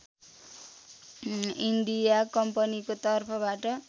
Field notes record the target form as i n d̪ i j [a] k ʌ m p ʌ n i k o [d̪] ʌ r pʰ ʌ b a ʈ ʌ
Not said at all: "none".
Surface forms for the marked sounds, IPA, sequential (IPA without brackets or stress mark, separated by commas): a, t̪